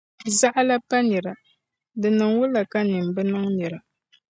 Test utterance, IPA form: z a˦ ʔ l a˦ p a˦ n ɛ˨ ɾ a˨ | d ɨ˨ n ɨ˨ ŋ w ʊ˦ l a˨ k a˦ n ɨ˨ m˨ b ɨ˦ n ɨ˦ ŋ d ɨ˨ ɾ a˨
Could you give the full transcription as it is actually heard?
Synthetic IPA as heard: z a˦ ʔ l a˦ p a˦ n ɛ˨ ɾ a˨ | d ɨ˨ n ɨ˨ ŋ w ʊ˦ l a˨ k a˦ n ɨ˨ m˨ b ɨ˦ n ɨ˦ ŋ n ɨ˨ ɾ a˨